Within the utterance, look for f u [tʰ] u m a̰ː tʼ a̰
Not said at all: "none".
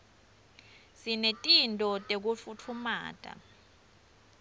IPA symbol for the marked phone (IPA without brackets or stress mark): tʰ